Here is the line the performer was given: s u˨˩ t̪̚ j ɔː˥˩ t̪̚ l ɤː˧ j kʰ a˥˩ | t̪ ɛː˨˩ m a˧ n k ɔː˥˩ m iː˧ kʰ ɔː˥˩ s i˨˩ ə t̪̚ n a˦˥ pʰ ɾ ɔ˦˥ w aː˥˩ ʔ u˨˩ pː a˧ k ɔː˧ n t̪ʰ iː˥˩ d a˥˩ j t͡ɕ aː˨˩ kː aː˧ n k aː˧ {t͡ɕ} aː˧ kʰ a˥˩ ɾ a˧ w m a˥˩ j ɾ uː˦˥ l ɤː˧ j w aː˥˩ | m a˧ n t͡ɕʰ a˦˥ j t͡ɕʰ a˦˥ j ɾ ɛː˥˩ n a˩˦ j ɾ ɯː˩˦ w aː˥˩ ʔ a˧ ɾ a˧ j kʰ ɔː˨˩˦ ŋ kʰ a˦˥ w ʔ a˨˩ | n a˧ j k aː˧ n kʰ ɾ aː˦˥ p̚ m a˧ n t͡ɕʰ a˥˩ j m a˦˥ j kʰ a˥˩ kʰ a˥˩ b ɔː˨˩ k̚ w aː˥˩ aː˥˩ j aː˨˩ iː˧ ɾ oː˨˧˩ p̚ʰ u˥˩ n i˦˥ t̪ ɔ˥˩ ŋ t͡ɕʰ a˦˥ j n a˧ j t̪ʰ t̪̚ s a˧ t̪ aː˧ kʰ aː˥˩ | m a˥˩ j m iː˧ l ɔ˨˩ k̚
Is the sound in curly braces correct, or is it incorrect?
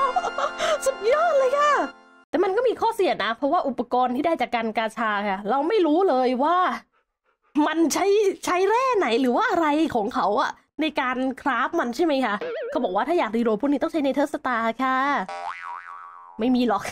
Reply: incorrect